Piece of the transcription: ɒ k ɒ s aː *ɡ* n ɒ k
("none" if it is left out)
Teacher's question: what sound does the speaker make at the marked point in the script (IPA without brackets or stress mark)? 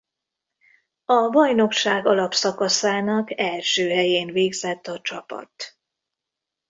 none